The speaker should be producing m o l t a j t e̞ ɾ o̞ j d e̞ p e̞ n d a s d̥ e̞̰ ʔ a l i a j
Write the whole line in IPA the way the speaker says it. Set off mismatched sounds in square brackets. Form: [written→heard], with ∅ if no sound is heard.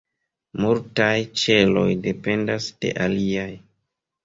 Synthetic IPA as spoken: m [o→u] l t a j [t→t͡ʃ] e̞ [ɾ→l] o̞ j d e̞ p e̞ n d a s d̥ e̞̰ ʔ a l i a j